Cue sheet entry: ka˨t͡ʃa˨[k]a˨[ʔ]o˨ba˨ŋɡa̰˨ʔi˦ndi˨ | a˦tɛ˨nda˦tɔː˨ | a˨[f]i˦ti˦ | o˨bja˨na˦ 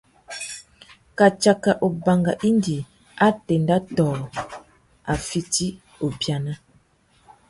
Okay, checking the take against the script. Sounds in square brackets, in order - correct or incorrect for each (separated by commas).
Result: correct, correct, correct